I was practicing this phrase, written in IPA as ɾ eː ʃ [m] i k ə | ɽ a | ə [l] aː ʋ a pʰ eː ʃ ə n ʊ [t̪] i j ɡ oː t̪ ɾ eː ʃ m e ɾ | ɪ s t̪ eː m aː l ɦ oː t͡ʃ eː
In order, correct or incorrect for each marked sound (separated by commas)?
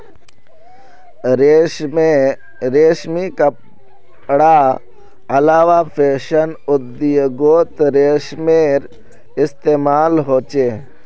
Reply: correct, correct, incorrect